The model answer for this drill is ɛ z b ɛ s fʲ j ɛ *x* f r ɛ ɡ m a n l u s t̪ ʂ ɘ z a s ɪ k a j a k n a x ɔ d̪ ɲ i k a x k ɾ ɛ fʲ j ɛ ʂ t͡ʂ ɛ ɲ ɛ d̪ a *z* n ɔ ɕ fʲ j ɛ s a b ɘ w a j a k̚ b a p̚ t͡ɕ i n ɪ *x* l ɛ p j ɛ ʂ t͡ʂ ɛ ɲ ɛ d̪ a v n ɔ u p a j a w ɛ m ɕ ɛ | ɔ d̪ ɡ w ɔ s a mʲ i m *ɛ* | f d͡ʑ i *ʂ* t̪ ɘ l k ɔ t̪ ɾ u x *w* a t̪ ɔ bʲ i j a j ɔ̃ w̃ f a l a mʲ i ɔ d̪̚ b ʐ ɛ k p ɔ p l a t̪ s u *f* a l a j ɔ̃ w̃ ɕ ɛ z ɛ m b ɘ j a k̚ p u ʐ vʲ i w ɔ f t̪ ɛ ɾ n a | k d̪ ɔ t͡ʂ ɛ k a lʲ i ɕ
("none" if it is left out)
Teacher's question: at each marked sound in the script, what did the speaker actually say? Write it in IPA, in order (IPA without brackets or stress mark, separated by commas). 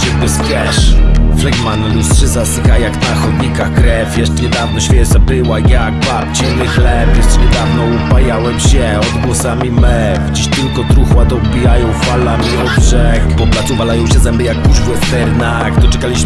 ʂ, v, x, ɛ, ɕ, w, v